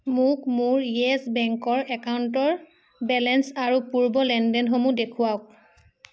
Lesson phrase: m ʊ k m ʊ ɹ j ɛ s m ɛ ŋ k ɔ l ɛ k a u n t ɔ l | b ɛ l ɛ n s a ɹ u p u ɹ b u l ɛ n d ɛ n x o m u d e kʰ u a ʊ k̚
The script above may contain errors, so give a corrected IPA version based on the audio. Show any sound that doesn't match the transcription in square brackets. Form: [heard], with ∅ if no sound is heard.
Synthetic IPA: m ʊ k m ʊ ɹ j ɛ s [b] ɛ ŋ k ɔ [ɹ] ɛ k a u n t ɔ [ɹ] | b ɛ l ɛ n s a ɹ u p u ɹ b [ɔ] l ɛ n d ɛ n x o m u d e kʰ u a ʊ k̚